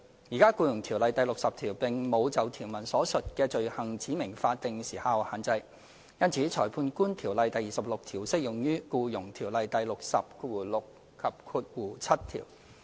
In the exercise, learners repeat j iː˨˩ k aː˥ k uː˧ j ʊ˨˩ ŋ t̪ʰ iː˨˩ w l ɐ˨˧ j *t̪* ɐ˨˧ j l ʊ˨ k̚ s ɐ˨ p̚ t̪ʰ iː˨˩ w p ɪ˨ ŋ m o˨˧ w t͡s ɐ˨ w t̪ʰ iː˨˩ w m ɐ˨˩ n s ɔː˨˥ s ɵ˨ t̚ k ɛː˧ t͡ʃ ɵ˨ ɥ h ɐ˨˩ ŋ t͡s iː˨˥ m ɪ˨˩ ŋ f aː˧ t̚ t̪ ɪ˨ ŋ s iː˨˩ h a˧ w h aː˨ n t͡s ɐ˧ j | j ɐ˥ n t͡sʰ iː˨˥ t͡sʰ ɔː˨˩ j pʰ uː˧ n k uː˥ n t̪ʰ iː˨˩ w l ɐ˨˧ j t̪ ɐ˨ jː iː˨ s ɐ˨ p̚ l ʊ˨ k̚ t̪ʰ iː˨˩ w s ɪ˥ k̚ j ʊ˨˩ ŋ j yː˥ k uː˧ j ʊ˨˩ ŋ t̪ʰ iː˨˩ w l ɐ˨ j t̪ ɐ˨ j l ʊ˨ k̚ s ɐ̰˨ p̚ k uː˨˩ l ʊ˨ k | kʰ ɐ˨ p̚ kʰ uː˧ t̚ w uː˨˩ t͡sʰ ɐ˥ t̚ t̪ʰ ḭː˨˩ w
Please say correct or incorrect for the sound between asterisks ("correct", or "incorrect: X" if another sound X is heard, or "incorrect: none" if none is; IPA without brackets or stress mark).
correct